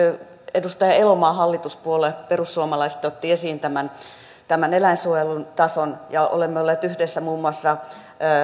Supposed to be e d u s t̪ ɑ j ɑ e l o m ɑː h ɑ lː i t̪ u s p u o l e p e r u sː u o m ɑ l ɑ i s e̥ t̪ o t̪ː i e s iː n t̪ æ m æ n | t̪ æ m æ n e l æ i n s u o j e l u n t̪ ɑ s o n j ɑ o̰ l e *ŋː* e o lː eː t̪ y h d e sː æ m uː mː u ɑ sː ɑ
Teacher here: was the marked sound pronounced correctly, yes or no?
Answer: no